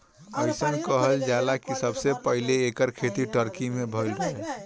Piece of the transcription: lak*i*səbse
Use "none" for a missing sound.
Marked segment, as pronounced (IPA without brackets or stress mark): i